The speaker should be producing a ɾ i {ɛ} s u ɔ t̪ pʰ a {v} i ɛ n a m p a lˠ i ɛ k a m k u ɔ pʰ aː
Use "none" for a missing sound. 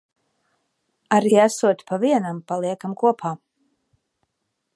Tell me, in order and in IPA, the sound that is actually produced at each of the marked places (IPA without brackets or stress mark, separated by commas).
a, v